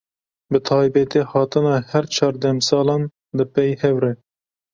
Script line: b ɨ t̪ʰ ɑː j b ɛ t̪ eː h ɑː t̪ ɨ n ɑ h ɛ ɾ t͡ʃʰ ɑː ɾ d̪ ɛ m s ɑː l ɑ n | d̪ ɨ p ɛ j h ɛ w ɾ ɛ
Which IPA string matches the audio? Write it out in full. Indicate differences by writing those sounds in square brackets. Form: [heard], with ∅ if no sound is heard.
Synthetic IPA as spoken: b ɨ t̪ʰ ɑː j b ɛ t̪ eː h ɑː t̪ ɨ n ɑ h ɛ ɾ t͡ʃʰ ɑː ɾ d̪ ɛ m s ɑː l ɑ n | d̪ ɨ p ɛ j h ɛ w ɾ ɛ

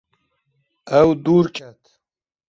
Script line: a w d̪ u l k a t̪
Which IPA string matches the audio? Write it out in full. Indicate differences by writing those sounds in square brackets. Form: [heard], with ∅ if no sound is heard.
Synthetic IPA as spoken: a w d̪ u [ɾ] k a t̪

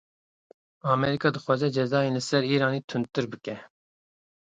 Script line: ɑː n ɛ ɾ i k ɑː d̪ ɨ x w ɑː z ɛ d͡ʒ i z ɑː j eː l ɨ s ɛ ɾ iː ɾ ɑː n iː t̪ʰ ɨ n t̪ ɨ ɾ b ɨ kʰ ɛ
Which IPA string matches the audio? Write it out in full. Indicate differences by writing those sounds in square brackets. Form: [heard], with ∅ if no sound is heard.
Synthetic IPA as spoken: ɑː [m] ɛ ɾ i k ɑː d̪ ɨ x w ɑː z ɛ d͡ʒ [ɛ] z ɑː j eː l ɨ s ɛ ɾ iː ɾ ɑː n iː t̪ʰ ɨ n t̪ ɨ ɾ b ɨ [k] ɛ

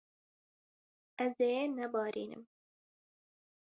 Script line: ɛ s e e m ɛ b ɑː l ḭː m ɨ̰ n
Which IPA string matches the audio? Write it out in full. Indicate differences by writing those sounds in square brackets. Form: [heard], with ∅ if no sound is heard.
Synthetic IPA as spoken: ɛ [z] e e [n] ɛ b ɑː [ɾ] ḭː [n] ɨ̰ [m]

